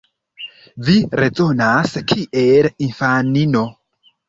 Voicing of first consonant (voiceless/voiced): voiced